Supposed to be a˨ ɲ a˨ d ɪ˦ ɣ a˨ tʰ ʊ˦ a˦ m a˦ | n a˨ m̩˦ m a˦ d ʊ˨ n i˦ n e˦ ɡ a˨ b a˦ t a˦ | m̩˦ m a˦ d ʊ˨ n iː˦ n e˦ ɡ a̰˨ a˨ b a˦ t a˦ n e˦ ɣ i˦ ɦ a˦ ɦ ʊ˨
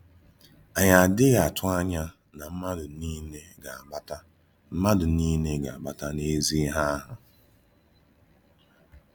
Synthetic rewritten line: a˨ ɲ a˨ d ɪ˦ ɣ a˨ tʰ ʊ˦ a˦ ɲ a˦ | n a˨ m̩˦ m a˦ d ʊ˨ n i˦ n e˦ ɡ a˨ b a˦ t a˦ | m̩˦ m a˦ d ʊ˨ n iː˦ n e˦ ɡ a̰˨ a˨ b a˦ t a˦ n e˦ z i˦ ɦ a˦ ɦ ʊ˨